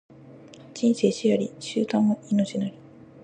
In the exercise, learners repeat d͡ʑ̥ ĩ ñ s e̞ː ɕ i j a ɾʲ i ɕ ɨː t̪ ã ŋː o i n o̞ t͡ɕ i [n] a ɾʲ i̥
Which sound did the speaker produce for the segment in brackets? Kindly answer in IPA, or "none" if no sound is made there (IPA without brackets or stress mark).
n